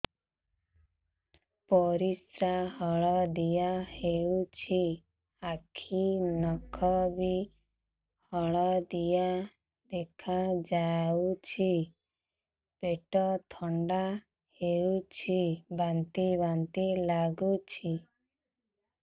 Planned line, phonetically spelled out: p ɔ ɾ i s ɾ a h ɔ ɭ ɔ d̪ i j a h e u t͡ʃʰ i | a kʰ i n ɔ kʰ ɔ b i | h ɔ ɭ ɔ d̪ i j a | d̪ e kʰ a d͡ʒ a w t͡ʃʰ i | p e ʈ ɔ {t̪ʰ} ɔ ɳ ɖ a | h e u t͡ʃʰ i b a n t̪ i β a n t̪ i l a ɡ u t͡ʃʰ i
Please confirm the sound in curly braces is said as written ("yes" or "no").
yes